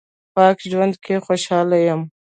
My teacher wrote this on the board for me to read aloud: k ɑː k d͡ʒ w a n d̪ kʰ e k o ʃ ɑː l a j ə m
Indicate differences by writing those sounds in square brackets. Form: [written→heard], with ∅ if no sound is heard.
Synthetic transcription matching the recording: [k→p] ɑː k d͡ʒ w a n d̪ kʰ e [k→x] o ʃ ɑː l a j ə m